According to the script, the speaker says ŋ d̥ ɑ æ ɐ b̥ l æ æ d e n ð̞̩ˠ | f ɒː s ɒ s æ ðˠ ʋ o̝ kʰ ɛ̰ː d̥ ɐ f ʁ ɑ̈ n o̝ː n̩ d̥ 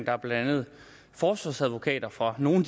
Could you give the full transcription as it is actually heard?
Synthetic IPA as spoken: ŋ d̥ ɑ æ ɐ b̥ l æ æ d æ n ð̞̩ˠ | f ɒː s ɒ s æ ðˠ ʋ o̝ kʰ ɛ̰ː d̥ ɐ f ʁ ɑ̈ n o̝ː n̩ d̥